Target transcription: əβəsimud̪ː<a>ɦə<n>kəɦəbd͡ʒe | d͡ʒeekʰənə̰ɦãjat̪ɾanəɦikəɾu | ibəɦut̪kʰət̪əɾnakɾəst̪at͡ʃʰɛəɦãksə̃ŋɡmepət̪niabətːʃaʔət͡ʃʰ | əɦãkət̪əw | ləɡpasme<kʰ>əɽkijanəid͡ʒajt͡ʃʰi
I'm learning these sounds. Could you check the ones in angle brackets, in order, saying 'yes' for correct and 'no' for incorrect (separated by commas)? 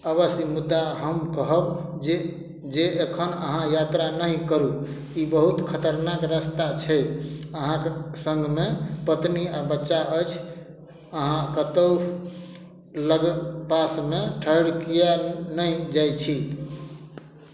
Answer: yes, no, no